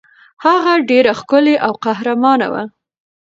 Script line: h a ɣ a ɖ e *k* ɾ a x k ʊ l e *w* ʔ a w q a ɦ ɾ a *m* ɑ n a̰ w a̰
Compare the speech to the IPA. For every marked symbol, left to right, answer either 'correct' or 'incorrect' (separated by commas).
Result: incorrect, incorrect, correct